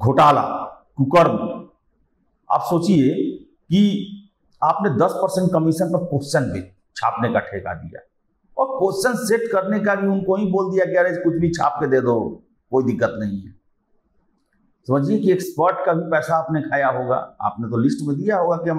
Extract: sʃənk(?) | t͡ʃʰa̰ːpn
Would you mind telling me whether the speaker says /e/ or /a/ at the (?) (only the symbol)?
e